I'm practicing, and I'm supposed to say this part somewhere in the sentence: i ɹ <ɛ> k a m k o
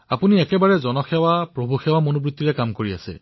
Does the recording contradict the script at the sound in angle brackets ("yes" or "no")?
no